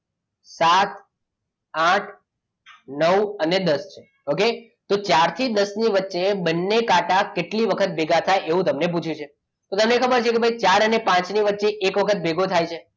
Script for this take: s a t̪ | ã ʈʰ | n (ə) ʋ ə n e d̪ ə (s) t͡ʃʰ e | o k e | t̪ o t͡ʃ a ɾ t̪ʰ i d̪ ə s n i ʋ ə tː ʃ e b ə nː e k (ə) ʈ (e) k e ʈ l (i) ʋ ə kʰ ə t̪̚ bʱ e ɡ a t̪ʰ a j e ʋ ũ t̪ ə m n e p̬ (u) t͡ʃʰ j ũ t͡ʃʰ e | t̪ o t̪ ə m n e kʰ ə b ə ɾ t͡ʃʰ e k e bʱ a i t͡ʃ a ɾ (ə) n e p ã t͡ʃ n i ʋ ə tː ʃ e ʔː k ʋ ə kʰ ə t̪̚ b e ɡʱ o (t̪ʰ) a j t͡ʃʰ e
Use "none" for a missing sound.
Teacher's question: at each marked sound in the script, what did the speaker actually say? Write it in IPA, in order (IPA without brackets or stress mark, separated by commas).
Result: ə, s, a, a, i, u, ə, t̪ʰ